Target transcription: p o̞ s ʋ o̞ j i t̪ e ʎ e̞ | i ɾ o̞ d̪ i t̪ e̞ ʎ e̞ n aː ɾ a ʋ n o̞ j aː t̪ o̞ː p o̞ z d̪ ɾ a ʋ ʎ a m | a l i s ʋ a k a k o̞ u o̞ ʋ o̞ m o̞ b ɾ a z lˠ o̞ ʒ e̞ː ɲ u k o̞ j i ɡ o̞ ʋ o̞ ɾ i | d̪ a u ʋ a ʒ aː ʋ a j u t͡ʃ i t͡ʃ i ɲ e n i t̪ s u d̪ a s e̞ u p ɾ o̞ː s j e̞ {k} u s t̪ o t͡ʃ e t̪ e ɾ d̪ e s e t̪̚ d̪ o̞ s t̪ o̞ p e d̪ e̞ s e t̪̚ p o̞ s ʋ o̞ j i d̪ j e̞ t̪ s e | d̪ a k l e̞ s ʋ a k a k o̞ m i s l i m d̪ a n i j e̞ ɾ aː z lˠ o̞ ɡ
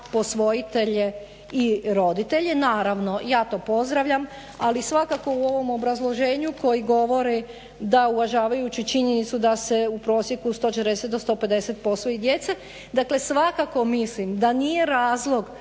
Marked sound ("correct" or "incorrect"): correct